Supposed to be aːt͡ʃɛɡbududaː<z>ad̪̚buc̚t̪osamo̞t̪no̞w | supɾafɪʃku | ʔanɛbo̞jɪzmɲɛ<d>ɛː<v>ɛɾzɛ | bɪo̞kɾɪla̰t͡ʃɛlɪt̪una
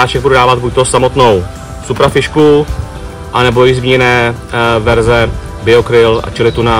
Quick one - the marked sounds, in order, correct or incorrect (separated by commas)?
incorrect, incorrect, correct